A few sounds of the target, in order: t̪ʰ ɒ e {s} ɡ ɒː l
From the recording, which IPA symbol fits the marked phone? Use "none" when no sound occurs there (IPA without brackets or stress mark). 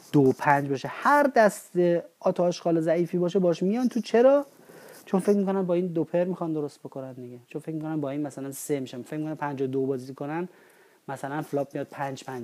ʃ